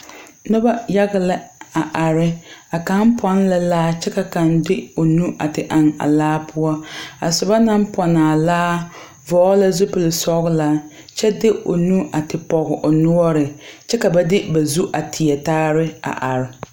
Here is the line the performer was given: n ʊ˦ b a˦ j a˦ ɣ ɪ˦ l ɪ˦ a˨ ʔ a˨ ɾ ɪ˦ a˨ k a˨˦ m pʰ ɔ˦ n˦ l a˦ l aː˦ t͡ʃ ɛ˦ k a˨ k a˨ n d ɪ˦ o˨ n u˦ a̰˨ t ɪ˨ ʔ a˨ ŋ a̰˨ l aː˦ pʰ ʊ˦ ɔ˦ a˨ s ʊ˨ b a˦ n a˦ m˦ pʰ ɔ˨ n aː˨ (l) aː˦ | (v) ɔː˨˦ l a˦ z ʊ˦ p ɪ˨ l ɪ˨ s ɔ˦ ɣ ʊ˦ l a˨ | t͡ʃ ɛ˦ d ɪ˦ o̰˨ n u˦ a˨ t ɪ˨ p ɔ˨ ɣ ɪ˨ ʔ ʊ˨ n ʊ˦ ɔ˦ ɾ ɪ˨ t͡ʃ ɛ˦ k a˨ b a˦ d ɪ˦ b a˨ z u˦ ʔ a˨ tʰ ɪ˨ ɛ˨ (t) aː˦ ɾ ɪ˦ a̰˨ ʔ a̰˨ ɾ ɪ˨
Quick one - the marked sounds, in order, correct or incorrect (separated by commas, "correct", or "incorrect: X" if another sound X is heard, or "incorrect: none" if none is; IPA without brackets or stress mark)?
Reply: correct, correct, correct